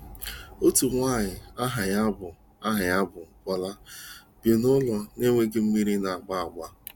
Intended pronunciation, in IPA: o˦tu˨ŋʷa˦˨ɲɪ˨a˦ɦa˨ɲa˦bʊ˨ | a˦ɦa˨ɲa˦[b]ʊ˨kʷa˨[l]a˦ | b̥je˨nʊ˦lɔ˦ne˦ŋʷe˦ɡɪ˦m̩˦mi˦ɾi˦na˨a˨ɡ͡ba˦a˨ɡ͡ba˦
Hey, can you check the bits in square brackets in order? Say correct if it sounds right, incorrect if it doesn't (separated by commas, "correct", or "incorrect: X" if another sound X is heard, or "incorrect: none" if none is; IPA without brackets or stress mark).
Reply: correct, correct